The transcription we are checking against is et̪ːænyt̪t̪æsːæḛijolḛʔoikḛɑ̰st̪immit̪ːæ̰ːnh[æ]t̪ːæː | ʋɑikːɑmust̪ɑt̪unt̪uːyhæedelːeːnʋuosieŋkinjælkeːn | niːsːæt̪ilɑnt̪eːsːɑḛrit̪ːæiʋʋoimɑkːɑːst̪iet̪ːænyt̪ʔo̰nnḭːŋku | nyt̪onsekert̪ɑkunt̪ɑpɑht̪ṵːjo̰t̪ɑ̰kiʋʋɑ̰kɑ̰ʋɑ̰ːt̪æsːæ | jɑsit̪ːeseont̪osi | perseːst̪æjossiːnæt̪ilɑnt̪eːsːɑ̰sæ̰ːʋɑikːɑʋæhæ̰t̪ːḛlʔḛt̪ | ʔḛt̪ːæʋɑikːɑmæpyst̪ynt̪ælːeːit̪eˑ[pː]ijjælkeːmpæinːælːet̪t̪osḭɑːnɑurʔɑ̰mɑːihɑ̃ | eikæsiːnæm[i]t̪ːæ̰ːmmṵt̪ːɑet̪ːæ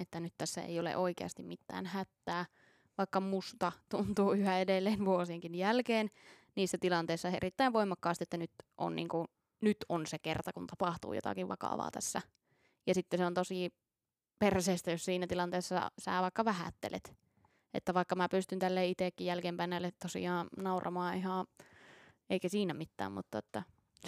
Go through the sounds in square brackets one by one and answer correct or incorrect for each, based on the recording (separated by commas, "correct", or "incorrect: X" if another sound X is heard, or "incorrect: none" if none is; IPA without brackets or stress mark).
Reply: correct, incorrect: kː, correct